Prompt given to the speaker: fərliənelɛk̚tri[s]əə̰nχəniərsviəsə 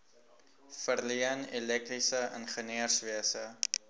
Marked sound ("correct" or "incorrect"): correct